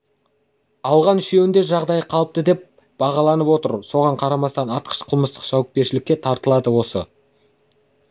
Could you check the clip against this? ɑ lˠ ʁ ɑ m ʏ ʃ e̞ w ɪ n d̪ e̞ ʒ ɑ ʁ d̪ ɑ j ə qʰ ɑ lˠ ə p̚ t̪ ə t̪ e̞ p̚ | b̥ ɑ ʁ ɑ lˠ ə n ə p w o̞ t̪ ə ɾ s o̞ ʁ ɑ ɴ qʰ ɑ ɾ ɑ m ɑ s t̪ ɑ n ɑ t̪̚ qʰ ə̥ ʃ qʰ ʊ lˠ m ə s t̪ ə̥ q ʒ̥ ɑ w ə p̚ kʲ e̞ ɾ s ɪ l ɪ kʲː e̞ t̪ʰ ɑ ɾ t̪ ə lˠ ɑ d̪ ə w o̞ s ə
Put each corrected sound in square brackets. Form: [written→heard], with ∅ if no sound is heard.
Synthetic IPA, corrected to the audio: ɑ lˠ ʁ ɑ [m→n] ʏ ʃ e̞ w ɪ n d̪ e̞ ʒ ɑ ʁ d̪ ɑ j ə qʰ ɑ lˠ ə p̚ t̪ ə [t̪→d̪] e̞ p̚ | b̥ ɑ ʁ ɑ lˠ [ə→ɑ] n ə p w o̞ t̪ ə ɾ s o̞ ʁ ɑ ɴ qʰ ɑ ɾ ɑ m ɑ s t̪ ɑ n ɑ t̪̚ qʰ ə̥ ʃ qʰ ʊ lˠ m ə s t̪ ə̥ q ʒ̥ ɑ w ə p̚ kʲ e̞ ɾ [s→ʃ] ɪ l ɪ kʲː e̞ t̪ʰ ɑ ɾ t̪ ə lˠ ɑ d̪ ə w o̞ s ə